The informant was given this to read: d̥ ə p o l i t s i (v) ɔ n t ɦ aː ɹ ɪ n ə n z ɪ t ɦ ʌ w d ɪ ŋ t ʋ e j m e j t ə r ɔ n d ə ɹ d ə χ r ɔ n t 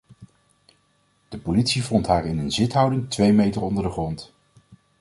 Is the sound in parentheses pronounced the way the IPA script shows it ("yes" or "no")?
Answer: yes